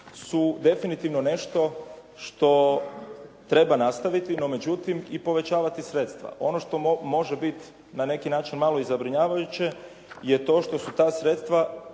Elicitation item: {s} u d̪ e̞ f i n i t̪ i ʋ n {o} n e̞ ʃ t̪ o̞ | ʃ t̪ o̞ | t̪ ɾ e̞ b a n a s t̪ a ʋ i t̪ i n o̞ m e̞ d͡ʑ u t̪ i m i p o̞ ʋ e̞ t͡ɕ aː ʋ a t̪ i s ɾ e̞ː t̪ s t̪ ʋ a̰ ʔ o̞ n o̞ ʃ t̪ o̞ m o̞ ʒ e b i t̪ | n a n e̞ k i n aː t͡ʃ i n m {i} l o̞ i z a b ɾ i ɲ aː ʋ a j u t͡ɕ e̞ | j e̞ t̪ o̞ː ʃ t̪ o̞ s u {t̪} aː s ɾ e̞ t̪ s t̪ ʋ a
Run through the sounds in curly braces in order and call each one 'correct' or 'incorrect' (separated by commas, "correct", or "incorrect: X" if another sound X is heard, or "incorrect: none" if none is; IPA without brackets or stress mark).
correct, correct, incorrect: a, correct